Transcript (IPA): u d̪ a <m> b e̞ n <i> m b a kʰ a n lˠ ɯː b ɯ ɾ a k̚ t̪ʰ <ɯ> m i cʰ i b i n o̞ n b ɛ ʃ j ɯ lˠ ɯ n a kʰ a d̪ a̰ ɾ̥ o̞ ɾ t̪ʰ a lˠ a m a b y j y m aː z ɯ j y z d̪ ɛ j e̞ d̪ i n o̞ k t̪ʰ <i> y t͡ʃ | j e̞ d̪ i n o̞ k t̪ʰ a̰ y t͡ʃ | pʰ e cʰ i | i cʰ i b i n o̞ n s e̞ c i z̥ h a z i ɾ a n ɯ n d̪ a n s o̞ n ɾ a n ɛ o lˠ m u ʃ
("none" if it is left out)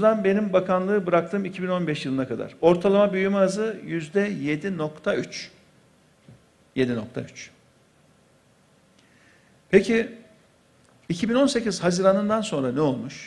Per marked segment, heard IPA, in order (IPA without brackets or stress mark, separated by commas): n, i, ɯː, a